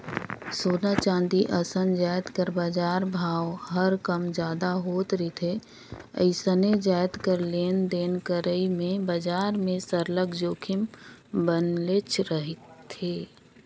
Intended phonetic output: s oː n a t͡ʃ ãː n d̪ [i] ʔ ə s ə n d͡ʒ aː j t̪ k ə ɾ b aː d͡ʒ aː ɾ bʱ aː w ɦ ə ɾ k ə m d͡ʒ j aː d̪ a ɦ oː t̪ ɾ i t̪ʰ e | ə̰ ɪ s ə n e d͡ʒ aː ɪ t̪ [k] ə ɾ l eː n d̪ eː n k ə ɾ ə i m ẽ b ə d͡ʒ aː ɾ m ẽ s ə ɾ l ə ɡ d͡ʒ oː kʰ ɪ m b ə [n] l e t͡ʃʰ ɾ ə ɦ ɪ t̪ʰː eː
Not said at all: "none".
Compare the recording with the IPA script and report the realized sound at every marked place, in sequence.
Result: i, k, n

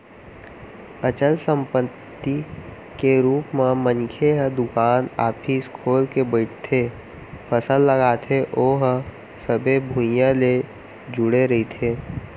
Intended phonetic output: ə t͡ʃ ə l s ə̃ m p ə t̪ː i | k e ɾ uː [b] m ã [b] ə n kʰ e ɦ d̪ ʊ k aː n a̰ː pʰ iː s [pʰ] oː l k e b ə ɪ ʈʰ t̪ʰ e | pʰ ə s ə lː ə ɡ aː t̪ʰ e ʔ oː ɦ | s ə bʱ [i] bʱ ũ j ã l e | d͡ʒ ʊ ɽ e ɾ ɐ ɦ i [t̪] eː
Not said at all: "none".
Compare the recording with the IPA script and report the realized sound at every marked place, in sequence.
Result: p, m, kʰ, e, t̪ʰ

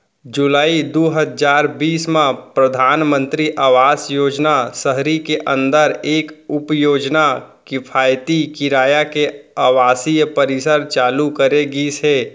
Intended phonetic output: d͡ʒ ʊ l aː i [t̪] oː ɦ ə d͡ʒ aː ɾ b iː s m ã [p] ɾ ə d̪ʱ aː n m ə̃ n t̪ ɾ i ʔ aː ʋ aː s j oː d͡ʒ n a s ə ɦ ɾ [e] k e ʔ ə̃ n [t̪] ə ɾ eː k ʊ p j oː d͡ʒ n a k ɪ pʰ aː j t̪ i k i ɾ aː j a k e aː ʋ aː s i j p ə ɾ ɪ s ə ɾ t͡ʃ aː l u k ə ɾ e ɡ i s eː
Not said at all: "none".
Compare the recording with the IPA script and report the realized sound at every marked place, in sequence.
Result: d̪, p, i, d̪

